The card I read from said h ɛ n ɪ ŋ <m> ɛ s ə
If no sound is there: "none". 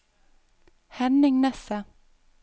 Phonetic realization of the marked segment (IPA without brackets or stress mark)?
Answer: n